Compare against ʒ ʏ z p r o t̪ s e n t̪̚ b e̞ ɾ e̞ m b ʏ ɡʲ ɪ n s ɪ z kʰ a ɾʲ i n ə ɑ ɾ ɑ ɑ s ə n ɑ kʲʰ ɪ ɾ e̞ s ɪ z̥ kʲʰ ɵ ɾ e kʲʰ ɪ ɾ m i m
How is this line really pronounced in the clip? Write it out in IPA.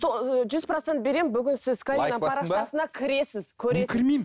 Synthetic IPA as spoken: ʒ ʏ z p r o t̪ s e n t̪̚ b e̞ ɾ e̞ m b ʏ ɡʲ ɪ n s ɪ z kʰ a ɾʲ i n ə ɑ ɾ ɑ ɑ s ə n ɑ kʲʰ ɪ ɾ e̞ s ɪ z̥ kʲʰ ɵ ɾ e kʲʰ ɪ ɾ m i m